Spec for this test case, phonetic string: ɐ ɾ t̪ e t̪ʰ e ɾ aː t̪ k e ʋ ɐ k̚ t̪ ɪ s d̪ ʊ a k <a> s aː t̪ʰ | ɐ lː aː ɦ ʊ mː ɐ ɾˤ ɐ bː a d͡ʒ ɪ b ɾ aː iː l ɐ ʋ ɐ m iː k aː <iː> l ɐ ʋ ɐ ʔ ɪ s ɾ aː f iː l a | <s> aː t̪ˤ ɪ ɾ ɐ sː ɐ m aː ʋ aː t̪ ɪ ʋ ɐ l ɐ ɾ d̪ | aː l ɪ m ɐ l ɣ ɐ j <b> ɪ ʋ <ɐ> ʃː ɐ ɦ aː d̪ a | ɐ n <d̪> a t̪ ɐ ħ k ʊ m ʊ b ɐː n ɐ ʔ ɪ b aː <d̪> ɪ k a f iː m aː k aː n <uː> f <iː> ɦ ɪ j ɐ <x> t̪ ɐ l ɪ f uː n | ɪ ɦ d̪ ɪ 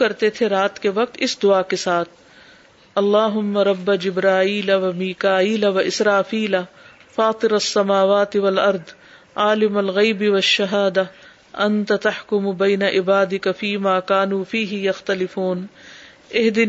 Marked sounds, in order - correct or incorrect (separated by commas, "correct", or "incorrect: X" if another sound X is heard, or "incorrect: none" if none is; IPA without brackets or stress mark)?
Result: incorrect: e, correct, incorrect: f, correct, correct, incorrect: t̪, correct, correct, correct, correct